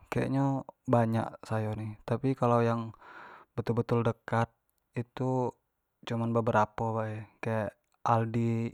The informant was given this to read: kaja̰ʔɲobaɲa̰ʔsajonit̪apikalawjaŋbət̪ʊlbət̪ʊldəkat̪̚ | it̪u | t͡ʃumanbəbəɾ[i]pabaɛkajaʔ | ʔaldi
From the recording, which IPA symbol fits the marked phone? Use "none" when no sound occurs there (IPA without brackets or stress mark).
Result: a